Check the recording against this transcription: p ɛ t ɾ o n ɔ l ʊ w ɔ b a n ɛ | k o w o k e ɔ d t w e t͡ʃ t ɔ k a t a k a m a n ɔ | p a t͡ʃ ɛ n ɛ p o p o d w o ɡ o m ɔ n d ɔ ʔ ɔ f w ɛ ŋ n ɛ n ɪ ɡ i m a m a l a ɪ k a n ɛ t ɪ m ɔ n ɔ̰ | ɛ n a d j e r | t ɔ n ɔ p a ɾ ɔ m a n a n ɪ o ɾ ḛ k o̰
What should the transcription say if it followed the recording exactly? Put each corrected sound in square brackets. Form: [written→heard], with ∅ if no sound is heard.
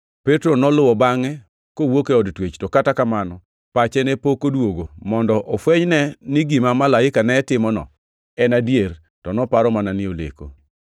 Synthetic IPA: p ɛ t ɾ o n ɔ l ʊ w ɔ b a [n→ŋ] ɛ | k o w o k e ɔ d t w e t͡ʃ t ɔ k a t a k a m a n ɔ | p a t͡ʃ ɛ n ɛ p o [p→k] o d w o ɡ o m ɔ n d ɔ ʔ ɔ f w ɛ [ŋ→ɲ] n ɛ n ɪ ɡ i m a m a l a ɪ k a n ɛ t ɪ m ɔ n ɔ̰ | ɛ n a d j e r | t ɔ n ɔ p a ɾ ɔ m a n a n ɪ o [ɾ→l] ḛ k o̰